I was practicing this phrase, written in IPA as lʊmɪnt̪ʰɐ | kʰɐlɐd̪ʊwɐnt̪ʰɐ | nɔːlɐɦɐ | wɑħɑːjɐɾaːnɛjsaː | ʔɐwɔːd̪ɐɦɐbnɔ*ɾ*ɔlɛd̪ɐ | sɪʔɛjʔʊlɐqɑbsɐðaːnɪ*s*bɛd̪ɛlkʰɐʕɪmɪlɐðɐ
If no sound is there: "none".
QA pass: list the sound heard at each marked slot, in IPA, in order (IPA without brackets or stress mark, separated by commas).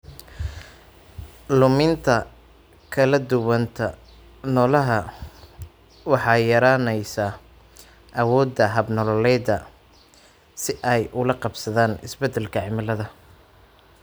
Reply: l, s